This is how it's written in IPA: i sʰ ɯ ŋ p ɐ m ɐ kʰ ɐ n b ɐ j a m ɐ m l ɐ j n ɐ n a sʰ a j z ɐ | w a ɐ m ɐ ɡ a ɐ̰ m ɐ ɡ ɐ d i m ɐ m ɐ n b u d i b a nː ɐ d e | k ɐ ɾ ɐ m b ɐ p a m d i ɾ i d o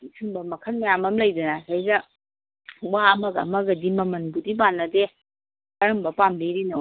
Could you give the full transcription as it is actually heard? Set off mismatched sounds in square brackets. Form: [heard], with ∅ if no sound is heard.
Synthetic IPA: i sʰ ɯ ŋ [b] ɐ m ɐ kʰ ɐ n [m] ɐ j a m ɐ m l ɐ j [d] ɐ n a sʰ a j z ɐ | w a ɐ m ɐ ɡ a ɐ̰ m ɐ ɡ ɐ d i m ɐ m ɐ n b u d i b a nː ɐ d e | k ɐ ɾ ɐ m b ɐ p a m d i ɾ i [n] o